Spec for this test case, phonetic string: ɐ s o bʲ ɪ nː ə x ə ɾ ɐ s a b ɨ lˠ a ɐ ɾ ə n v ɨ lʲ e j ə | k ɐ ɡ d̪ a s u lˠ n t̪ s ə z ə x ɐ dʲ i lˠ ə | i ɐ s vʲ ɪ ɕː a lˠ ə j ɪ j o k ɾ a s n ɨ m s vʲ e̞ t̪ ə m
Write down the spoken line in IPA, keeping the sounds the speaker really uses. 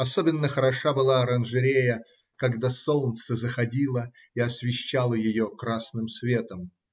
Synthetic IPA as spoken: ɐ s o bʲ ɪ nː ə x ə ɾ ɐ ʂ a b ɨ lˠ a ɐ ɾ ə n ʐ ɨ ɾʲ e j ə | k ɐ ɡ d̪ a s o lˠ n t̪ s ə z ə x ɐ dʲ i lˠ ə | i ɐ s vʲ ɪ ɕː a lˠ ə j ɪ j o k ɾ a s n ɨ m s vʲ e̞ t̪ ə m